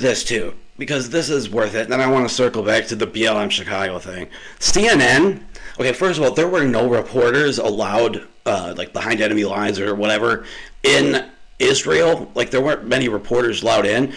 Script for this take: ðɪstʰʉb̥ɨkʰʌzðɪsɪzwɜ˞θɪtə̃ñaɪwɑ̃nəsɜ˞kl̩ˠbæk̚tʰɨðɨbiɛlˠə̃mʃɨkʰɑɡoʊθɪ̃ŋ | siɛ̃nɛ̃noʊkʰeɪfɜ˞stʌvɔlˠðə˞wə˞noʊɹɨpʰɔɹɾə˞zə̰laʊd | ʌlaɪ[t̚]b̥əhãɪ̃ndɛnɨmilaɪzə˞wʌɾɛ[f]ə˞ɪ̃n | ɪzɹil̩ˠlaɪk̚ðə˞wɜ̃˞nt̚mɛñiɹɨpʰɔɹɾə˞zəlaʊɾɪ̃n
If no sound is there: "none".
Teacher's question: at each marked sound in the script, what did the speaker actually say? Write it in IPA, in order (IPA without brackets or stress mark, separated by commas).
k̚, v